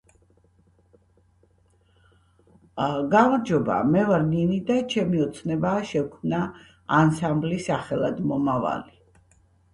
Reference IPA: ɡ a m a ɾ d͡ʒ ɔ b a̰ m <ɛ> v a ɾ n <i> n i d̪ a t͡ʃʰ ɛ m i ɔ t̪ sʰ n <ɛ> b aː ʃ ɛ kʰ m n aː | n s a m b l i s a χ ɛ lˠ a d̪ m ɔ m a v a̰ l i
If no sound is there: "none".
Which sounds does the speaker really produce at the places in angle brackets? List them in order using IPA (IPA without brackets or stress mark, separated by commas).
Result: ɛ, i, ɛ